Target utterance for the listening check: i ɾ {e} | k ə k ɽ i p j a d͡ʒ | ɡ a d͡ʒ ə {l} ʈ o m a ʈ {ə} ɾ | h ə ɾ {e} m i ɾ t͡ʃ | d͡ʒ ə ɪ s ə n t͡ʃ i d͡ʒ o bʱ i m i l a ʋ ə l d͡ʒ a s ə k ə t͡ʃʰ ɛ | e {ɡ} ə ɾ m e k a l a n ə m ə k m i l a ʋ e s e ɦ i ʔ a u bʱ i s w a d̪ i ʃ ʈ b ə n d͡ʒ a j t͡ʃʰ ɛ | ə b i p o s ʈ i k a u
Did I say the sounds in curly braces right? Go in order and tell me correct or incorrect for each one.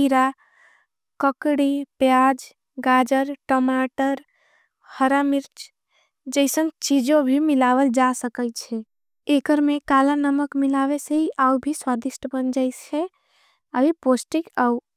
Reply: incorrect: a, incorrect: ɾ, correct, incorrect: a, incorrect: k

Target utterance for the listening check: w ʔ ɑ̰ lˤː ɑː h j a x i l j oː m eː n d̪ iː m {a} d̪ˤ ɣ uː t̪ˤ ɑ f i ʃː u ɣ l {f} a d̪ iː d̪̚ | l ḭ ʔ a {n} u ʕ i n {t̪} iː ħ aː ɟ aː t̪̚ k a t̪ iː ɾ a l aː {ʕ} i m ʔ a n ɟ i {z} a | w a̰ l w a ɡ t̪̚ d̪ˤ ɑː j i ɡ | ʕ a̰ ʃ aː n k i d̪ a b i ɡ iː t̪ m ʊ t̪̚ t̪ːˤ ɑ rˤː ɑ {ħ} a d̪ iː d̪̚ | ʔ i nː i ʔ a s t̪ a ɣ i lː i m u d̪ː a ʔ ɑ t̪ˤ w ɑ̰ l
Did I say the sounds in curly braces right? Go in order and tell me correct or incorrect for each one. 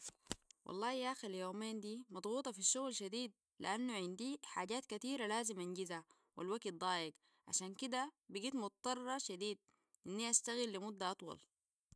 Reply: incorrect: ɑ, incorrect: ʃ, incorrect: nː, incorrect: d̪, incorrect: z, correct, incorrect: ʃ

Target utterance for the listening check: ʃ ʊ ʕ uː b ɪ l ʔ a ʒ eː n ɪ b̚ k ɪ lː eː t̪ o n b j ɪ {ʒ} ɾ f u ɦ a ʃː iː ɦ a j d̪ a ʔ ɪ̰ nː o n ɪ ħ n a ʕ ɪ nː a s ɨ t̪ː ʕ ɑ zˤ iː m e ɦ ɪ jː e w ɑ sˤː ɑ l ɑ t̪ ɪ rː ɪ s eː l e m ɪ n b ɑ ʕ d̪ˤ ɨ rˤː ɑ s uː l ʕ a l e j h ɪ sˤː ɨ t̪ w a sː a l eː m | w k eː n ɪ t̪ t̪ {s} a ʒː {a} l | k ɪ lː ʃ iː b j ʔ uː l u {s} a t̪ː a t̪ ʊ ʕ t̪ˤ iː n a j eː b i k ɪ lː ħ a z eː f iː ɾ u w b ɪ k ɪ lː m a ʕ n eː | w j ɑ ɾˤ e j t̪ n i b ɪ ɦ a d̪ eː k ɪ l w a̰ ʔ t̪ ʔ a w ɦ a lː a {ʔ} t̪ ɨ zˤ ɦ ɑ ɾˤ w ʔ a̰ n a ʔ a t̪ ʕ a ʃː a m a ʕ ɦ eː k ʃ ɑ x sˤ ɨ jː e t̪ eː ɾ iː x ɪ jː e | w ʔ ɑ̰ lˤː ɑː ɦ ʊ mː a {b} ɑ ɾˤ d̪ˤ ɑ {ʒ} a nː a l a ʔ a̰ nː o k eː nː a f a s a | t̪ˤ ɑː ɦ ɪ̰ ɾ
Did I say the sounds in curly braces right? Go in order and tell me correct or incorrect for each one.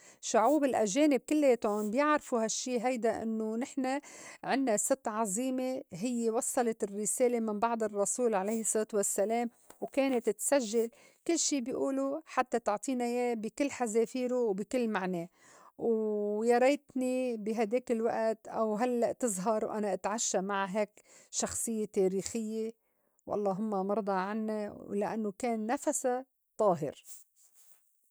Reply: incorrect: ʕ, correct, correct, incorrect: ħ, correct, incorrect: m, incorrect: ʕ

